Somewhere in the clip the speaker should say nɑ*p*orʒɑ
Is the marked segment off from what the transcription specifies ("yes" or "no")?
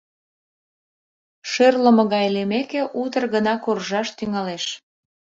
yes